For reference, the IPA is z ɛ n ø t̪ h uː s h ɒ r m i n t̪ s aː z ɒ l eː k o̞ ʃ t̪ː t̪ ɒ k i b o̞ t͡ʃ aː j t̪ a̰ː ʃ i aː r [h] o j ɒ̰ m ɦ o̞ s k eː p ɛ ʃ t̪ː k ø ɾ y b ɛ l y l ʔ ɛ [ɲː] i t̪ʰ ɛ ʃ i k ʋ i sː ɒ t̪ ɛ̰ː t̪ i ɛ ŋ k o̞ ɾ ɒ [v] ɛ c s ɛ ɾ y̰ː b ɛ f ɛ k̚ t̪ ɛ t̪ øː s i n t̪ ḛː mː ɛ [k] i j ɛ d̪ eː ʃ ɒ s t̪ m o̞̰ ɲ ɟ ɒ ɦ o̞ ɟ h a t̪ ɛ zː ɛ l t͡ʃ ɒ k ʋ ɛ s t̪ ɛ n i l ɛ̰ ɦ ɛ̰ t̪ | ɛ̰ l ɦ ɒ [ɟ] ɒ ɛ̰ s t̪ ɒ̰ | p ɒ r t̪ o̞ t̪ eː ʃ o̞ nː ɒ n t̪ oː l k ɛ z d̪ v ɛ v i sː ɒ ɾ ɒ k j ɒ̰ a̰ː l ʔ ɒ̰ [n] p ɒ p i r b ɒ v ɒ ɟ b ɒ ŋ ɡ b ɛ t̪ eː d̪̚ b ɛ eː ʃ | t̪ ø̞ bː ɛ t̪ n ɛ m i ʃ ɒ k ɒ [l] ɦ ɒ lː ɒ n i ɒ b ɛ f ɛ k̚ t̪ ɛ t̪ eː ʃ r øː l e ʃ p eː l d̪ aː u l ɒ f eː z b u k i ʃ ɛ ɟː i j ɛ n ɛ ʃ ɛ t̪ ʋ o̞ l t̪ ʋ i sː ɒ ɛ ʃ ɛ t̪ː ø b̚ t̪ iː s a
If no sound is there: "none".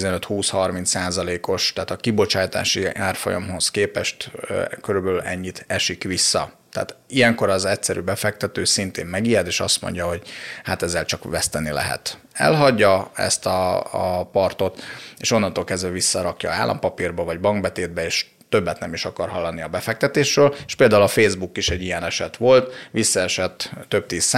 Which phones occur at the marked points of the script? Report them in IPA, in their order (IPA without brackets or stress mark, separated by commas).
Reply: f, ɲː, z, ɡ, ɟː, m, r